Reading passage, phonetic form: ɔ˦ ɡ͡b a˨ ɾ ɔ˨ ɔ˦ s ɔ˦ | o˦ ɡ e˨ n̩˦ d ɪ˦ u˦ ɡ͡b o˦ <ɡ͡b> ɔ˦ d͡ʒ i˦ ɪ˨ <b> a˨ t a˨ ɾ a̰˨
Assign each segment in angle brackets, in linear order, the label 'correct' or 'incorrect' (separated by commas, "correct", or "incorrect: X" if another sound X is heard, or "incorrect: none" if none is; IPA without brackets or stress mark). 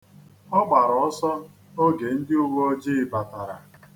incorrect: none, correct